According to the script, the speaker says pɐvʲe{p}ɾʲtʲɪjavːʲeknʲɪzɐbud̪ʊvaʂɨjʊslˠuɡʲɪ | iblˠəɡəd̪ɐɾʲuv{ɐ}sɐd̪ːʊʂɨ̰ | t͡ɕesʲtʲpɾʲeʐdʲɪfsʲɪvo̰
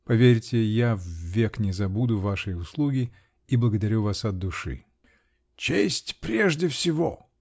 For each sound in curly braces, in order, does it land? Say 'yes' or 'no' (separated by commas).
no, no